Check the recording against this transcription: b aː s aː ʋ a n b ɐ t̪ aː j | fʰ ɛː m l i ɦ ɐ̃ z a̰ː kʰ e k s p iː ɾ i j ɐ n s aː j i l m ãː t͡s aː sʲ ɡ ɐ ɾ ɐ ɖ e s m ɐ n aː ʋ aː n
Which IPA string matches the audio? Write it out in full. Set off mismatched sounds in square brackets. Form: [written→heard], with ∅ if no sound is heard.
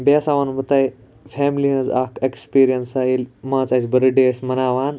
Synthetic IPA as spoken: b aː s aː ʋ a n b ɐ t̪ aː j | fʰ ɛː m l i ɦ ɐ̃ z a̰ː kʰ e k s p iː ɾ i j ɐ n s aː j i l m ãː t͡s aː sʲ [ɡ→b] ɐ ɾ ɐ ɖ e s m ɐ n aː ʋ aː n